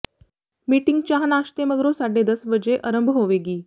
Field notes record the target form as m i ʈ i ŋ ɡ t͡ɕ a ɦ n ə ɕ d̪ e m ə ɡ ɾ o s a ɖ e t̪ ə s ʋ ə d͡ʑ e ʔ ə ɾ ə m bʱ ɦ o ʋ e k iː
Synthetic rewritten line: m i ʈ i ŋ ɡ t͡ɕ a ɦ n a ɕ t̪ e m ə ɡ ɾ o s a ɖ e d̪ ə s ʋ ə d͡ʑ e ʔ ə ɾ ə m bʱ ɦ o ʋ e ɡ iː